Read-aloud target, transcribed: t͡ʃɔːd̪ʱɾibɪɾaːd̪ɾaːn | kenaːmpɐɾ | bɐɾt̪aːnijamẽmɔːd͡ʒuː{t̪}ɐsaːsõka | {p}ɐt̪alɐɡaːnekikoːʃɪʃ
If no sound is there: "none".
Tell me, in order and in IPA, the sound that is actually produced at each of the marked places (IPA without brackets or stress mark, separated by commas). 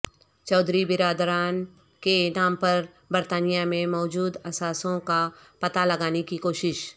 d̪, p